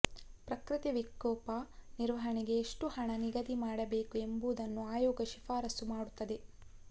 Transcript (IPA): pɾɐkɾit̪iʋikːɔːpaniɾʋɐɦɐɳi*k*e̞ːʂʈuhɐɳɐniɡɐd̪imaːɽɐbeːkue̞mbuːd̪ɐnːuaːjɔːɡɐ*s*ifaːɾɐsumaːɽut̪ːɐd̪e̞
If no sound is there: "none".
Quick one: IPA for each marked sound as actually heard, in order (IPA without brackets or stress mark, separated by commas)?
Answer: ɡ, ʃ